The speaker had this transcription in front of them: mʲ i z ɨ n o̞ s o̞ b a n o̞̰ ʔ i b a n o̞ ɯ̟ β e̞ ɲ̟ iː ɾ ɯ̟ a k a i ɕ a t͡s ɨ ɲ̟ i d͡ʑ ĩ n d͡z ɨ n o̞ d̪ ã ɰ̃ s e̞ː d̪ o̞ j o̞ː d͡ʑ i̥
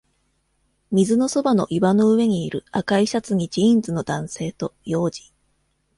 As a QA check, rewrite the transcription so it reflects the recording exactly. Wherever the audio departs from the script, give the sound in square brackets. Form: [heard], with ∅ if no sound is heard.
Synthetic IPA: mʲ i z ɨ n o̞ s o̞ b a n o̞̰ ʔ i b a n o̞ ɯ̟ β e̞ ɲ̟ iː ɾ ɯ̟ a k a i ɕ a t͡s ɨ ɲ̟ i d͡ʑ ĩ n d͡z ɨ n o̞ d̪ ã ɰ̃ s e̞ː [t̪] o̞ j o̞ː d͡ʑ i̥